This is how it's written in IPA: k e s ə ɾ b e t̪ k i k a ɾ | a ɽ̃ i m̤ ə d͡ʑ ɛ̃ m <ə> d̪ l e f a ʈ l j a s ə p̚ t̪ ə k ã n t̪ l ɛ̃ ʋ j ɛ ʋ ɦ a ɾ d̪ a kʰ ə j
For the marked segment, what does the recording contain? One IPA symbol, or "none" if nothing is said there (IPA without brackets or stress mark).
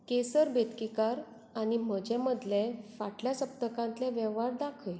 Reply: ə